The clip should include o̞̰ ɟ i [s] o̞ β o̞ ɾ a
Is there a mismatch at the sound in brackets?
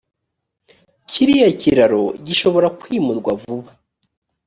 yes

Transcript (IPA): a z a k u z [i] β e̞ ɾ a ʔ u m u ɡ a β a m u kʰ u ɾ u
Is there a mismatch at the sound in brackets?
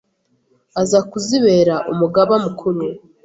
no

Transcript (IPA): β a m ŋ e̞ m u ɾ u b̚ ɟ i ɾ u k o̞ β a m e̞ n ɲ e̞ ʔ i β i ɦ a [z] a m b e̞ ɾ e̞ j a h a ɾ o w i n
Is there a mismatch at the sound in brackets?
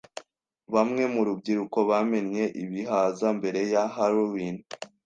no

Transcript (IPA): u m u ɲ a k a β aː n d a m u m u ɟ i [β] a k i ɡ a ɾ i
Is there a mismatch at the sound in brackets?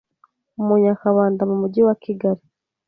yes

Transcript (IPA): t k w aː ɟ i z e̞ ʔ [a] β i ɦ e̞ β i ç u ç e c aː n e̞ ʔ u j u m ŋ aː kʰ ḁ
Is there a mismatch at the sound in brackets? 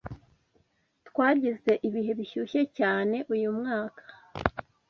yes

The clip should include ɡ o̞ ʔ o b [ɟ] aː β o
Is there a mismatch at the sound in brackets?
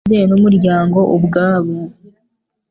yes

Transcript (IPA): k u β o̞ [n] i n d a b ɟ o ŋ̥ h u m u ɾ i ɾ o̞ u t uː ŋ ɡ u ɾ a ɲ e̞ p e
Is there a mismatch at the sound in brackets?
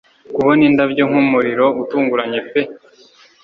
no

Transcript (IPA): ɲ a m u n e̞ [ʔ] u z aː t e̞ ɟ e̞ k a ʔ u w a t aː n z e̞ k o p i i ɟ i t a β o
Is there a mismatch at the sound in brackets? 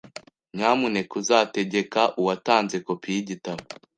yes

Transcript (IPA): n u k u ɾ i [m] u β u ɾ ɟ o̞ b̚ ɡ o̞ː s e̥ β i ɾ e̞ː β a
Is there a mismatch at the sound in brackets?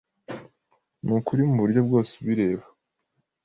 no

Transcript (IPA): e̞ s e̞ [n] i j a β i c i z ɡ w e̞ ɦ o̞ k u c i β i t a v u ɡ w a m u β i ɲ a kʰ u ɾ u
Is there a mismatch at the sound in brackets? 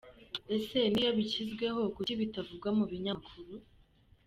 no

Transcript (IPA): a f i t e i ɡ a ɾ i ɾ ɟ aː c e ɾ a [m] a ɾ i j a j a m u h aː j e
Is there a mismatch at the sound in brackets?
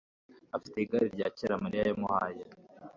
no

